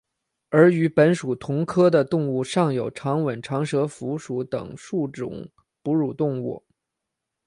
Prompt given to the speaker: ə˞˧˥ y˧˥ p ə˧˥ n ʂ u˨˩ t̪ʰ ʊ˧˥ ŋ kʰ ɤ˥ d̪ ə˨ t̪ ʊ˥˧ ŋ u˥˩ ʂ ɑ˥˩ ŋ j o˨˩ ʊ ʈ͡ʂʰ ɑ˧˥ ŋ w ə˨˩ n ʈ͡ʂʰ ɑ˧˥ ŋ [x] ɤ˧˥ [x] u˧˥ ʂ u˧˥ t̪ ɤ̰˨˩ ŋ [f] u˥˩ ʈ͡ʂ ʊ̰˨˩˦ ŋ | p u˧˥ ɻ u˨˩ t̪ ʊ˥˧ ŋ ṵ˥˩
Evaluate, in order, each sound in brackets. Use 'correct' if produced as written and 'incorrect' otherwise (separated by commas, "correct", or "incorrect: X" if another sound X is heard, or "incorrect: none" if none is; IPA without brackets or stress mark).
incorrect: ʂ, incorrect: f, incorrect: ʂ